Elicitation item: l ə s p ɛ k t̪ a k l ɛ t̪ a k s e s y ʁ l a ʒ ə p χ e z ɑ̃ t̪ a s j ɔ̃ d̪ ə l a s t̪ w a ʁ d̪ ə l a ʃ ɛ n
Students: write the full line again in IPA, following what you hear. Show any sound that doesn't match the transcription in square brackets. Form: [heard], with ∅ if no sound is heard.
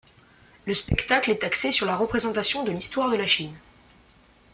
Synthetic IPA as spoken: l ə s p ɛ k t̪ a k l ɛ t̪ a k s e s y ʁ l a [ʁ] ə p χ e z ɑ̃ t̪ a s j ɔ̃ d̪ ə l [i] s t̪ w a ʁ d̪ ə l a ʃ [i] n